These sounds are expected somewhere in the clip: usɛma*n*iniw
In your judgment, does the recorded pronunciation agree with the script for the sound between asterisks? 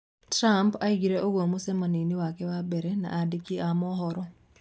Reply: yes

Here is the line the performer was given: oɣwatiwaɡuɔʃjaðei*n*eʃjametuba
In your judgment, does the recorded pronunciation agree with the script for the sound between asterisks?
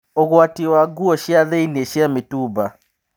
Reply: yes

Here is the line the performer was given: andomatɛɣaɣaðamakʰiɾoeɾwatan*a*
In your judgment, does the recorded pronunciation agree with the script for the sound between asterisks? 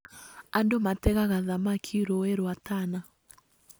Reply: yes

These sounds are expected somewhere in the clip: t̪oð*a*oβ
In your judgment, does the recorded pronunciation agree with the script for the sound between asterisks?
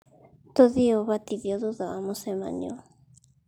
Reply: no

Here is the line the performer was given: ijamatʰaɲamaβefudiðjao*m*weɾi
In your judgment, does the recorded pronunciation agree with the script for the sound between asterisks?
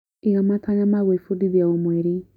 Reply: yes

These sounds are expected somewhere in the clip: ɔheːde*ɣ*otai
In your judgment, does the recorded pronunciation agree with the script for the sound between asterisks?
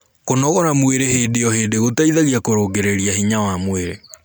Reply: yes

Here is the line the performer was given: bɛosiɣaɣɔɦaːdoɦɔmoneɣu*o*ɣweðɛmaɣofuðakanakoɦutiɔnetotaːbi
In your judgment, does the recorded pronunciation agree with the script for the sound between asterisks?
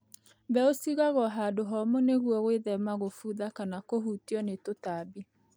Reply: no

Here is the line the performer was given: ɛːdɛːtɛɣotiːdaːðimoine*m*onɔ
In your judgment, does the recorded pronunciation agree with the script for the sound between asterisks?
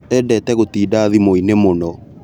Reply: yes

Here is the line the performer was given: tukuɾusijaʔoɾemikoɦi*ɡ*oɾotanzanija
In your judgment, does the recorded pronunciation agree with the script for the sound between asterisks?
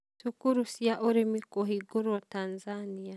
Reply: yes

